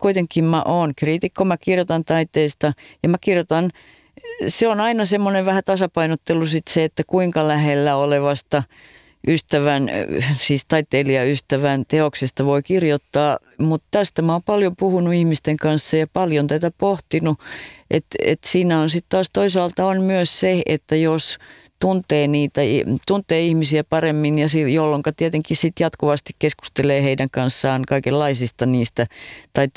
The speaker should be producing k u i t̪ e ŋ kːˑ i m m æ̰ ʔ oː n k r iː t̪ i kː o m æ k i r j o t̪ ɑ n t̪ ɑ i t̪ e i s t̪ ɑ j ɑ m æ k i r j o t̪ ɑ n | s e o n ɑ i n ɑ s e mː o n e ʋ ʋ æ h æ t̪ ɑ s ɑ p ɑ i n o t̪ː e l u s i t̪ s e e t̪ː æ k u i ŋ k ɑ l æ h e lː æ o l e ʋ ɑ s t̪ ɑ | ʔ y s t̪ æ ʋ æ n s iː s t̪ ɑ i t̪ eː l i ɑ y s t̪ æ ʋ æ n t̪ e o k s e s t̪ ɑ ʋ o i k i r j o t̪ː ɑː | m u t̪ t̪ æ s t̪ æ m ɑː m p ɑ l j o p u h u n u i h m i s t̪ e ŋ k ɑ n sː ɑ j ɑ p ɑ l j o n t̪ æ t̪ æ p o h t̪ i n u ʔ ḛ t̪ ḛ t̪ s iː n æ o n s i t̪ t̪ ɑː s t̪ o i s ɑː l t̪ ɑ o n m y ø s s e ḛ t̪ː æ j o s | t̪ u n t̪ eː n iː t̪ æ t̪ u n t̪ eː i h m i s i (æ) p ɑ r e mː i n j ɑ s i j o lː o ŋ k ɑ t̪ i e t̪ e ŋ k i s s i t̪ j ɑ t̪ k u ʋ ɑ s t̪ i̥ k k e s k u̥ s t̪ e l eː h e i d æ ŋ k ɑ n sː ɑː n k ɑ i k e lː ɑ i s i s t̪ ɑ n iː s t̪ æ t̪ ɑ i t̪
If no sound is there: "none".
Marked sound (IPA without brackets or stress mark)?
æ